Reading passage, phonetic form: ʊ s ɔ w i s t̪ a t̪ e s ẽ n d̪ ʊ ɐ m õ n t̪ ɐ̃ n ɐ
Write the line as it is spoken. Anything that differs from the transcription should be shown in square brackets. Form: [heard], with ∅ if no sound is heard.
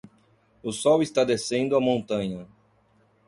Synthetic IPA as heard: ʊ s ɔ w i s t̪ a [d̪] e s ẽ n d̪ ʊ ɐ m õ n t̪ ɐ̃ [ɲ] ɐ